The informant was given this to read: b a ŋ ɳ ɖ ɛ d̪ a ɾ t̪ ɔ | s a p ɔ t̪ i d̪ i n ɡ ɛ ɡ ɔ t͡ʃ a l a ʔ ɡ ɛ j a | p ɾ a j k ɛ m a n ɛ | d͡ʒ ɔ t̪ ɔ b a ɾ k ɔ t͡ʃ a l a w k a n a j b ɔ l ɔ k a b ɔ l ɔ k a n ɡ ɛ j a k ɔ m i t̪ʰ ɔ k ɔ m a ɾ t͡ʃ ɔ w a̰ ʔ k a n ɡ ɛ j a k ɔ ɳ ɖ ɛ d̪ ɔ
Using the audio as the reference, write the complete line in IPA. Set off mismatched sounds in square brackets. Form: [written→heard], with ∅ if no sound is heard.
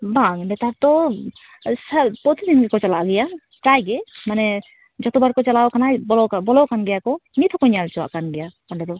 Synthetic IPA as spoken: b a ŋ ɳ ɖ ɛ [d̪→t̪] a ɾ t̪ ɔ | s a p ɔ t̪ i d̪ i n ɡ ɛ [ɡ→k] ɔ t͡ʃ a l a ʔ ɡ ɛ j a | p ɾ a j [k→ɡ] ɛ m a n ɛ | d͡ʒ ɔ t̪ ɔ b a ɾ k ɔ t͡ʃ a l a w k a n a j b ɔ l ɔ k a b ɔ l ɔ k a n ɡ ɛ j a k ɔ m i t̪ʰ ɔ k ɔ [m→ɲ] a [ɾ→l] t͡ʃ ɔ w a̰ ʔ k a n ɡ ɛ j a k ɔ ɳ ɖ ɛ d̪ ɔ